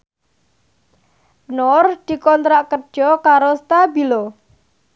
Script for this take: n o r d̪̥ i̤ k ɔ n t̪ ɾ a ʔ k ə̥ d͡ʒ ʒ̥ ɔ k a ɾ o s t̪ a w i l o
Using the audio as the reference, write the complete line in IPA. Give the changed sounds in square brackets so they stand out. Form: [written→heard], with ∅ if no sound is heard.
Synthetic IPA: n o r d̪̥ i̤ k ɔ n t̪ ɾ a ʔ k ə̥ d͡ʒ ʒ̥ ɔ k a ɾ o s t̪ a [w→b] i l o